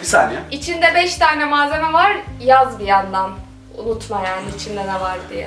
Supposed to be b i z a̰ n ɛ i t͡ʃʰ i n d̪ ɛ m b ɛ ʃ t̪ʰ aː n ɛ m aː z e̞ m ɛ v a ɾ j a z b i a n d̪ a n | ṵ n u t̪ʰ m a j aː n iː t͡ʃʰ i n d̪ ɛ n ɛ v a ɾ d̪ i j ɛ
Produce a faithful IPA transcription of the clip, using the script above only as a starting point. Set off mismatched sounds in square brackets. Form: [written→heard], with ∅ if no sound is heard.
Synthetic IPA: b i [z→s] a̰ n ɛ i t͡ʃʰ i n d̪ ɛ [m→∅] b ɛ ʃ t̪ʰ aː n ɛ m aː z e̞ m ɛ v a ɾ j a z b i a n d̪ a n | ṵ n u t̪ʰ m a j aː n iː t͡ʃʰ i n d̪ ɛ n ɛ v a ɾ d̪ i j ɛ